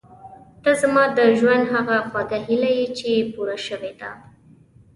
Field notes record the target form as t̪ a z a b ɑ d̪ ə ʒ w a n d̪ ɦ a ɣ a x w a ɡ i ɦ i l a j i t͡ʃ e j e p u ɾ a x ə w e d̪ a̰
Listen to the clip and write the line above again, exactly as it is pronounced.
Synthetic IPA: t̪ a z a m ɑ d̪ ə ʒ w a n d̪ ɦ a ɣ a x w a ɡ a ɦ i l a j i t͡ʃ e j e p u ɾ a ʃ ə w e d̪ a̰